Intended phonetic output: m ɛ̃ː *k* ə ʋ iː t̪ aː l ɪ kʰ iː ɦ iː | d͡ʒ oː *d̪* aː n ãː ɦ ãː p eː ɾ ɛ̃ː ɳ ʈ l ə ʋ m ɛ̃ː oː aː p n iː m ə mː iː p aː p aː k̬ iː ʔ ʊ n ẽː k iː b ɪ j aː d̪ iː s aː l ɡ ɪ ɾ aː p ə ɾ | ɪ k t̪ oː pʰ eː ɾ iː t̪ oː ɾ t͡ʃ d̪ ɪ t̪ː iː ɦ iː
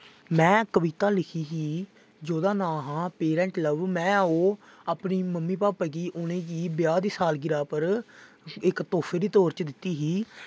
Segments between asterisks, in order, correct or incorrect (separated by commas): correct, correct